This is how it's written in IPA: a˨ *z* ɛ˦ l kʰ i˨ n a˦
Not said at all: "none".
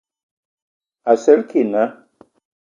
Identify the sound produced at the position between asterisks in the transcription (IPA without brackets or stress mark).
s